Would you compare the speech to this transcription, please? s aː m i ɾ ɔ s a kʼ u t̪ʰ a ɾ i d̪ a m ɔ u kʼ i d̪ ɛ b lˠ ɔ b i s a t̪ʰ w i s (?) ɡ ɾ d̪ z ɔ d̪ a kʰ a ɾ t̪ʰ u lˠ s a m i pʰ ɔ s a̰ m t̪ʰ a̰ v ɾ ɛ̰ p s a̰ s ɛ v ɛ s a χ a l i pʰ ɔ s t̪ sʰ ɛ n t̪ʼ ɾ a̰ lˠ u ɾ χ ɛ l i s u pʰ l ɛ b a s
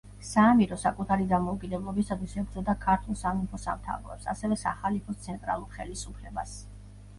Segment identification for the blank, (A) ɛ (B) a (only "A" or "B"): A